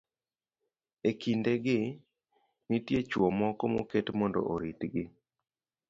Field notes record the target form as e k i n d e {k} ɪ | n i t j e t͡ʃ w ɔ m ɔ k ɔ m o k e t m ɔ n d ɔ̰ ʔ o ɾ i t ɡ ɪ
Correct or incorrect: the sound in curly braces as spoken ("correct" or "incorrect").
incorrect